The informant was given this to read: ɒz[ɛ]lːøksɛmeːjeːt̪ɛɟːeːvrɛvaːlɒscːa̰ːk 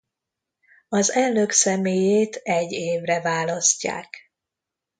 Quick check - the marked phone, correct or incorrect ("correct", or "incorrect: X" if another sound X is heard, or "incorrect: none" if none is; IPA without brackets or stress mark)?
correct